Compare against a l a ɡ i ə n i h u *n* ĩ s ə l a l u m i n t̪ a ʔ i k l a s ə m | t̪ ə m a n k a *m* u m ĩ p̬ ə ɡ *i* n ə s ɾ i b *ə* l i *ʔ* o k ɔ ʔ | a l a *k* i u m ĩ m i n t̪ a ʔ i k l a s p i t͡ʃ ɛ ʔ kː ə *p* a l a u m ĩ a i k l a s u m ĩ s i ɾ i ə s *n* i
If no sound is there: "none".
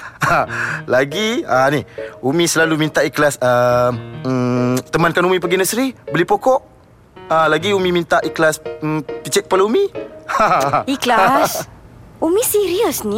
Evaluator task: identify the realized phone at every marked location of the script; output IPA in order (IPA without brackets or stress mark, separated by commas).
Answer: m, n, i, ə, p, ɡ, p, n